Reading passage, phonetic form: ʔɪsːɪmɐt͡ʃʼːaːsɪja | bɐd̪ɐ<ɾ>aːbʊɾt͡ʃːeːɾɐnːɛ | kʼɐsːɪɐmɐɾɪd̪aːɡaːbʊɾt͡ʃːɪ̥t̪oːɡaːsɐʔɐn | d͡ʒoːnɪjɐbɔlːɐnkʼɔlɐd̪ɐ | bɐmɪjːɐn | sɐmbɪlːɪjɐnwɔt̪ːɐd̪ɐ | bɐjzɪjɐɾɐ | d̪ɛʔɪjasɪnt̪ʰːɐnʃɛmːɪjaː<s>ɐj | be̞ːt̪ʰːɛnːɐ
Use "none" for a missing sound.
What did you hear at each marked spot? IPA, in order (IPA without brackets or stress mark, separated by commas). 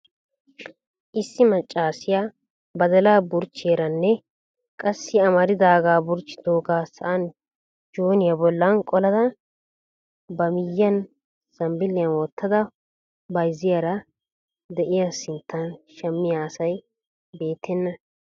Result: l, s